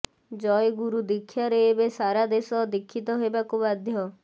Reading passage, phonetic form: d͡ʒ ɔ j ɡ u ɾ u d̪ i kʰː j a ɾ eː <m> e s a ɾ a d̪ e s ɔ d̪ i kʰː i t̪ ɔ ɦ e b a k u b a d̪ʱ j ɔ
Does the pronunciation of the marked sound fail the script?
yes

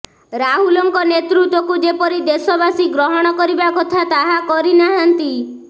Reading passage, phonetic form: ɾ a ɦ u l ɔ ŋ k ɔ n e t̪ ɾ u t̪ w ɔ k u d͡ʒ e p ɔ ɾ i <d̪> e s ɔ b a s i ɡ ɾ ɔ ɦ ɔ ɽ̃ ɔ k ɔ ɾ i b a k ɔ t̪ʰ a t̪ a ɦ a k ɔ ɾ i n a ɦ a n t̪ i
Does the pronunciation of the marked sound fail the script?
no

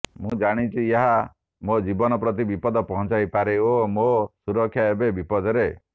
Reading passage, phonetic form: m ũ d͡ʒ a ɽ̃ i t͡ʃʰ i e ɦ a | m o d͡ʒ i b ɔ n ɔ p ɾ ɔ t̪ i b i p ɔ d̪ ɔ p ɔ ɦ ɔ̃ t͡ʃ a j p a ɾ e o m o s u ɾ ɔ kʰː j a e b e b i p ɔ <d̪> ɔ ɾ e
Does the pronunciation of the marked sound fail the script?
no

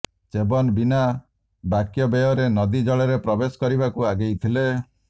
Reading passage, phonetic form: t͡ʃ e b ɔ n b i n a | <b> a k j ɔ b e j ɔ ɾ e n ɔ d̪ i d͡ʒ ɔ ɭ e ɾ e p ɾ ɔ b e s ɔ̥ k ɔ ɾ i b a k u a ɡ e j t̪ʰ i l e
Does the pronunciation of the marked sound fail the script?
no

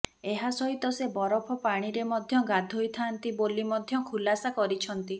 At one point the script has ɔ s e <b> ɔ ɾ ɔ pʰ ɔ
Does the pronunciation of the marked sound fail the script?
no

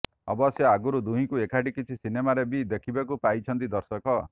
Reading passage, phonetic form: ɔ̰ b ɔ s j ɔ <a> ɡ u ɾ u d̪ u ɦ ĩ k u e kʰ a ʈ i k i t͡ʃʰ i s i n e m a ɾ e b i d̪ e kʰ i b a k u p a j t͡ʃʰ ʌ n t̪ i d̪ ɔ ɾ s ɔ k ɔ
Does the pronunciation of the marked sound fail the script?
no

